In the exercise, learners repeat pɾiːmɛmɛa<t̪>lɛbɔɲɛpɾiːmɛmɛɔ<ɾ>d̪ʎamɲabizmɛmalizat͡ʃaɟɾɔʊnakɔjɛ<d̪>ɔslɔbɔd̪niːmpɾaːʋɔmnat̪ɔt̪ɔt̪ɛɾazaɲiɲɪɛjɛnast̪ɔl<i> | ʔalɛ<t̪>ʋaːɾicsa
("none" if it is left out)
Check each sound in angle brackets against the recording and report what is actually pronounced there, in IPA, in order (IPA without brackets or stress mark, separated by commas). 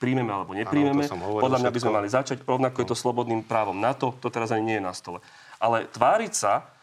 none, none, t̪, ɛ, t̪